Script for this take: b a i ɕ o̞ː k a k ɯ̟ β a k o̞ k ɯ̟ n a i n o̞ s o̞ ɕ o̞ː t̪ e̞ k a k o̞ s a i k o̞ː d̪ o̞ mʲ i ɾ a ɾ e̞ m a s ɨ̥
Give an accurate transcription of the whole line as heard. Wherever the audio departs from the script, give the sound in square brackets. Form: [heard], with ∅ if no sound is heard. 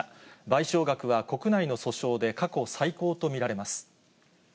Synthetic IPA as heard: b a i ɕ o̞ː [ɡ] a k ɯ̟ β a k o̞ k ɯ̟ n a i n o̞ s o̞ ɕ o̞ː [d̪] e̞ k a k o̞ s a i k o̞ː [t̪] o̞ mʲ i ɾ a ɾ e̞ m a s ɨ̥

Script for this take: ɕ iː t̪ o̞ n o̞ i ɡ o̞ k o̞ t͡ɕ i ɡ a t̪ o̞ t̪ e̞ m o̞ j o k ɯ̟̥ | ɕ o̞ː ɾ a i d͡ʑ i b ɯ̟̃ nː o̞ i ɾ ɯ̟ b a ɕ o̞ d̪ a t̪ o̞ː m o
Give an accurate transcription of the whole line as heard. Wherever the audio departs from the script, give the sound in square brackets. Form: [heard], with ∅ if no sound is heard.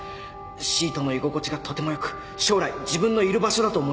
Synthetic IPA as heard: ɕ iː t̪ o̞ n o̞ i ɡ o̞ k o̞ t͡ɕ i ɡ a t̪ o̞ t̪ e̞ m o̞ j o k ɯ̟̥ | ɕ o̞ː ɾ a i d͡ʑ i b ɯ̟̃ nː o̞ i ɾ ɯ̟ b a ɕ o̞ d̪ a t̪ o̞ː m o

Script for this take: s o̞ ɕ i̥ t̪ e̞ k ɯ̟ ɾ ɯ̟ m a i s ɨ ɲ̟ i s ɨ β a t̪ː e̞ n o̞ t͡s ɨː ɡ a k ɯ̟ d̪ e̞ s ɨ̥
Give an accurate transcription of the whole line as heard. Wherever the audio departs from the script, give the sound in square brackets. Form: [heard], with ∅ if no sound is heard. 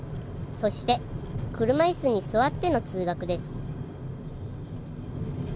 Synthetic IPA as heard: s o̞ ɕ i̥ t̪ e̞ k ɯ̟ ɾ ɯ̟ m a i s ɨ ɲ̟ i s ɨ β a t̪ː e̞ n o̞ t͡s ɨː ɡ a k ɯ̟ d̪ e̞ s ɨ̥

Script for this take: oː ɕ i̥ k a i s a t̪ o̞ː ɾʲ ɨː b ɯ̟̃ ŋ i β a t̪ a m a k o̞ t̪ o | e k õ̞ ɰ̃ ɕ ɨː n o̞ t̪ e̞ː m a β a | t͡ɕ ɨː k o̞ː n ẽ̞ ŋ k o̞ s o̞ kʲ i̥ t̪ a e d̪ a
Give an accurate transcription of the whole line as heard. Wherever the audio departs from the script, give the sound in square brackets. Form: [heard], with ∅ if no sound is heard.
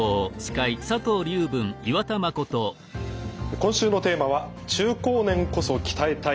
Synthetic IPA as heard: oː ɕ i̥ k a i s a t̪ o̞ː ɾʲ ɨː b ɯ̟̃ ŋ i β a t̪ a m a k o̞ t̪ o | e k õ̞ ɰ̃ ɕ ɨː n o̞ t̪ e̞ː m a β a | t͡ɕ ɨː k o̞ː n ẽ̞ ŋ k o̞ s o̞ kʲ i̥ t̪ a e [t̪] a

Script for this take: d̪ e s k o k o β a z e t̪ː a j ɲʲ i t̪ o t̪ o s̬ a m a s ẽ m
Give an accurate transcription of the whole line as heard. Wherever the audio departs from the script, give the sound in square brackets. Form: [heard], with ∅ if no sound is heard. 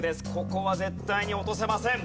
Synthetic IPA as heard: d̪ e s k o k o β a z e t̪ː a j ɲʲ i [∅] o t̪ o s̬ [e] m a s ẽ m

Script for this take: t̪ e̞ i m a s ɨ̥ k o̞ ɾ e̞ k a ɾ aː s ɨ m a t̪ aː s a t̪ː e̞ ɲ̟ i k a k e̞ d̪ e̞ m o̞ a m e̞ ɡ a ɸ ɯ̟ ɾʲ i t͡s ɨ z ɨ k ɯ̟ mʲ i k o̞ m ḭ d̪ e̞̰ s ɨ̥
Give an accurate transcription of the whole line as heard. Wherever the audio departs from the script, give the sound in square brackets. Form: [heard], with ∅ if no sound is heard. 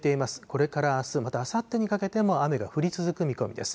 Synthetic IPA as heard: t̪ e̞ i m a s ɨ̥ k o̞ ɾ e̞ k a ɾ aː s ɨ m a t̪ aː s a t̪ː e̞ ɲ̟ i k a k e̞ [t̪] e̞ m o̞ a m e̞ ɡ a ɸ ɯ̟ ɾʲ i t͡s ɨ z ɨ k ɯ̟ mʲ i k o̞ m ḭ d̪ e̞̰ s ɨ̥

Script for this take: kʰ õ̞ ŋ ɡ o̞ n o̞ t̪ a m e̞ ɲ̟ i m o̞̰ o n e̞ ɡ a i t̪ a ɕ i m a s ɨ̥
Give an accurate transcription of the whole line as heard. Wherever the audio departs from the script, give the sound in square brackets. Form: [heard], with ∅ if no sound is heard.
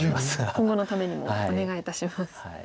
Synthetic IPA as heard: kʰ õ̞ ŋ ɡ o̞ n o̞ t̪ a m e̞ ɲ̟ i m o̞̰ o n e̞ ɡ a i t̪ a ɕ i m a s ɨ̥

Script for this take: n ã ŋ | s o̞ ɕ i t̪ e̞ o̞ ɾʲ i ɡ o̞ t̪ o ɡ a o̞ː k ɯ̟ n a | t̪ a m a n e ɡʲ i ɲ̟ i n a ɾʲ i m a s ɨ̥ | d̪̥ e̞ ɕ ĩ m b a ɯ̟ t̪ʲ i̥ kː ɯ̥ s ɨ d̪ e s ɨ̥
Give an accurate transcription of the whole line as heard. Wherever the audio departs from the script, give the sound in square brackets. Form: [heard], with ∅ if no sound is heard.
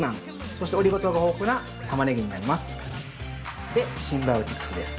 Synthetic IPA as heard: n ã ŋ | s o̞ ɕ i t̪ e̞ o̞ ɾʲ i ɡ o̞ t̪ o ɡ a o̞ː k ɯ̟ n a | t̪ a m a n e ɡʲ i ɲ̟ i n a ɾʲ i m a s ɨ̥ | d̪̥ e̞ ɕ ĩ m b a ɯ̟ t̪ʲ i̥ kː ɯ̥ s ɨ d̪ e s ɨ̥

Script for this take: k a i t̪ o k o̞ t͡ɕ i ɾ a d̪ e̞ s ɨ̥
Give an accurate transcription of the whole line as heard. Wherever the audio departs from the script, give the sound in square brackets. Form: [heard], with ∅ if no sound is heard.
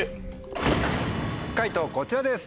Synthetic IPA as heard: k a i t̪ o k o̞ t͡ɕ i ɾ a d̪ e̞ s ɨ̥

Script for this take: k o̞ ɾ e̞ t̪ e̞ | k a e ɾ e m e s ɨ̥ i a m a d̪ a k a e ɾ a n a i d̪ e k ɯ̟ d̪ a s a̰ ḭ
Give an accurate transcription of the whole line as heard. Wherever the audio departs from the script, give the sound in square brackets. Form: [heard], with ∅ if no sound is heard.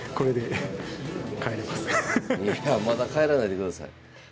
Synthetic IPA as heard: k o̞ ɾ e̞ [d̪] e̞ | k a e ɾ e m [a] s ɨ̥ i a m a d̪ a k a e ɾ a n a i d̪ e k ɯ̟ d̪ a s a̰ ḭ

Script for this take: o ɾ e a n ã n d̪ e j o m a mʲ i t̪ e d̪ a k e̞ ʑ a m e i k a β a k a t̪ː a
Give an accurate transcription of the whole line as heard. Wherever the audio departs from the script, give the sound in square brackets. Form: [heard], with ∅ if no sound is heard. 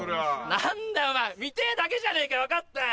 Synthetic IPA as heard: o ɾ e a n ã n d̪ [a] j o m a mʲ i t̪ e d̪ a k e̞ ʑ a [n] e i k a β a k a t̪ː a

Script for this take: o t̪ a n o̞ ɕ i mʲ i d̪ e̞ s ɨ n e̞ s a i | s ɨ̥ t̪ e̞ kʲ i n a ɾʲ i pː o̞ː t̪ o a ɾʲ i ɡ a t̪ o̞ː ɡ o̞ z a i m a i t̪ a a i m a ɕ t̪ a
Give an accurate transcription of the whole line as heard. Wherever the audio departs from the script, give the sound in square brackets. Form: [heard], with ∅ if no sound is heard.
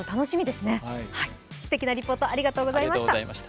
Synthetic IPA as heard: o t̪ a n o̞ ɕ i mʲ i d̪ e̞ s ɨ n e̞ [h] a i | s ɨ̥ t̪ e̞ kʲ i n a ɾʲ i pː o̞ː t̪ o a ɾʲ i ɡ a t̪ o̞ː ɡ o̞ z a i m a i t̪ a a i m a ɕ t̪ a

